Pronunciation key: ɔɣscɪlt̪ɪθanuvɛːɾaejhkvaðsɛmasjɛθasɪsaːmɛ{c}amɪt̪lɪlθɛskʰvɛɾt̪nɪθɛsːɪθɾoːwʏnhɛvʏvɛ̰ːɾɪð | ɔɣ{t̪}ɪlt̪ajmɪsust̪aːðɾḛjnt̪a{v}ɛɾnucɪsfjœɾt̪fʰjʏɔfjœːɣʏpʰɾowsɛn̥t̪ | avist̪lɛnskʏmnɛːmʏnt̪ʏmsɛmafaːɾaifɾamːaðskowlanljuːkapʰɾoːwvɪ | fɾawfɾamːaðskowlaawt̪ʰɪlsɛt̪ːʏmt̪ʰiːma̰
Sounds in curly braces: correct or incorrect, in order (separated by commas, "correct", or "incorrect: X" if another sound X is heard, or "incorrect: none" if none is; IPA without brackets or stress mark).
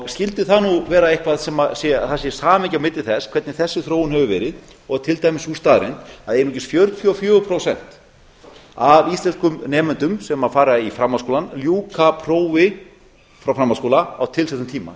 correct, incorrect: t̪ʰ, incorrect: ð